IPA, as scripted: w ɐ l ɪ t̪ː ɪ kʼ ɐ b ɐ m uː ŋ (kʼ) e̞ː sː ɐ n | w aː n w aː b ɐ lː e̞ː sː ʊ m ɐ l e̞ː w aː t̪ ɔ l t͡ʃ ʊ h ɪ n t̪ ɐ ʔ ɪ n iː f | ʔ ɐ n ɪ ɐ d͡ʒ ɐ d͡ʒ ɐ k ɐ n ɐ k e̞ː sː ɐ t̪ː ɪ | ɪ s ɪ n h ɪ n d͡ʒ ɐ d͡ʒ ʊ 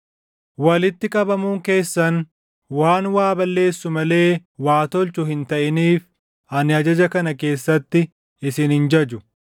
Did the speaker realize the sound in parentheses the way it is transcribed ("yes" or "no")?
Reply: no